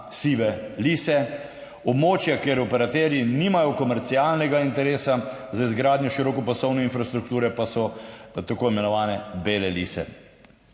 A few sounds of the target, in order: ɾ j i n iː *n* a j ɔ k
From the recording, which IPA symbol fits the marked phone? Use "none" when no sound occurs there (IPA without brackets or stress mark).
m